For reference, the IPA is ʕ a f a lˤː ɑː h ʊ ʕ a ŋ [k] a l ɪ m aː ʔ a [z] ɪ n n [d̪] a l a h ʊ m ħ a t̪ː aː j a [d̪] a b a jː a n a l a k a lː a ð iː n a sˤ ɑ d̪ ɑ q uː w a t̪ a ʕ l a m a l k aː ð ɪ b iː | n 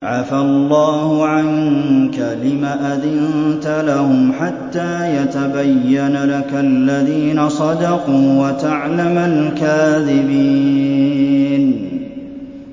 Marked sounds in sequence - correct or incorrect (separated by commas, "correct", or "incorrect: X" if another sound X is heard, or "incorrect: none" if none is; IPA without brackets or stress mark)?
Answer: correct, incorrect: ð, incorrect: t̪, incorrect: t̪